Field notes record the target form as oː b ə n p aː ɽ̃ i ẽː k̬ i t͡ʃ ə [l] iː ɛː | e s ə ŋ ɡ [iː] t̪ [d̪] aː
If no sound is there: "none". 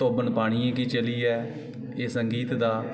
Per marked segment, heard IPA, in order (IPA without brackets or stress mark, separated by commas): l, iː, d̪